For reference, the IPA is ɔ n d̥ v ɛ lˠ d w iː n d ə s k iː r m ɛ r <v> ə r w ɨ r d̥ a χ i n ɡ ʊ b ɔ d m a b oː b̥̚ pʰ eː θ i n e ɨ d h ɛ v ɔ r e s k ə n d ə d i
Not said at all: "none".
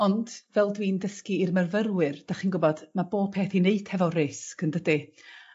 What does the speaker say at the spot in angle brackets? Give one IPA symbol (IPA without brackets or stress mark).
v